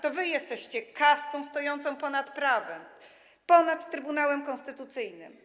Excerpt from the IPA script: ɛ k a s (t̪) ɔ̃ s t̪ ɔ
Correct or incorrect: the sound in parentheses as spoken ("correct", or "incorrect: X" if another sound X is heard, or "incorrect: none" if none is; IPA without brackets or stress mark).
correct